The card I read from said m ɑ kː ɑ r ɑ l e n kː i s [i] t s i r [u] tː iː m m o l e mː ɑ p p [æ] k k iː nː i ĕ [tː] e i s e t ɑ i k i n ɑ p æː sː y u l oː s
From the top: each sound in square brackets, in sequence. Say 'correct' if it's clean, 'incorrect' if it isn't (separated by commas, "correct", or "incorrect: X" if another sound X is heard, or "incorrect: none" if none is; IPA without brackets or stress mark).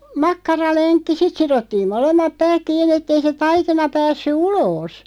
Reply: correct, incorrect: o, incorrect: æː, correct